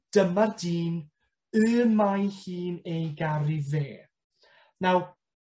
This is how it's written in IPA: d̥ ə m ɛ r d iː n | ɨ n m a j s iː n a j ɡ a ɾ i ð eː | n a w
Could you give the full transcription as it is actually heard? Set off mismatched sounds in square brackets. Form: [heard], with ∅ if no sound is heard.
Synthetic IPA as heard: d̥ ə m [a] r d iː n | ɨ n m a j [h] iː n [e] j ɡ a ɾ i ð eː | n a w